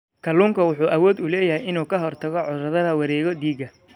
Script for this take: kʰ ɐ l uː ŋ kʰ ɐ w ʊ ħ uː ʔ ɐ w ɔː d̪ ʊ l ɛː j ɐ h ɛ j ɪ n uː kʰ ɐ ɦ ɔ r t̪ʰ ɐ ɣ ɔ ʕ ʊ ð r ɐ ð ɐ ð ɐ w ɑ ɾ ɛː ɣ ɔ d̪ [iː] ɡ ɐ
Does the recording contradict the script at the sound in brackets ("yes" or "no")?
no